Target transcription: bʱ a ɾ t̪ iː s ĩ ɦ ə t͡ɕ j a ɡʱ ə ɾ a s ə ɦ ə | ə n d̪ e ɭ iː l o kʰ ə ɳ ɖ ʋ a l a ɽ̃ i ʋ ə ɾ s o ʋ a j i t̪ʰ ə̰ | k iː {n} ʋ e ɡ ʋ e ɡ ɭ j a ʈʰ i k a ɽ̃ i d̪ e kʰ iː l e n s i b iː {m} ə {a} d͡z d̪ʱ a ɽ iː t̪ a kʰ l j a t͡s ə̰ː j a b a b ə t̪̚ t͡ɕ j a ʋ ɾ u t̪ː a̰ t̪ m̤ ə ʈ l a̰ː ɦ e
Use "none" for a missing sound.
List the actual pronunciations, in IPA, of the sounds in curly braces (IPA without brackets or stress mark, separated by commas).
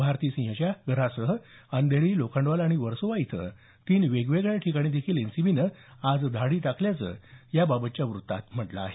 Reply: n, n, a